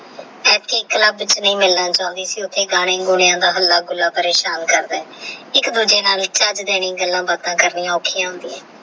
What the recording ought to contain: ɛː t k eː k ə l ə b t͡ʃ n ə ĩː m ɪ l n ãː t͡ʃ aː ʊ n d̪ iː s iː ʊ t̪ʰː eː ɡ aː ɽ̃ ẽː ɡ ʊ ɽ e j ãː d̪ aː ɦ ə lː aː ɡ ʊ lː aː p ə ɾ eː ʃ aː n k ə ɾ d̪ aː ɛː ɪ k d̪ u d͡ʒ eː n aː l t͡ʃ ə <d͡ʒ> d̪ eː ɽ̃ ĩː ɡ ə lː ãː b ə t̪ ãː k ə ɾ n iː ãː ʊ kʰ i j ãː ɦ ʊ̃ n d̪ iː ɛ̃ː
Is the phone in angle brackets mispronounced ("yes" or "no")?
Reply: no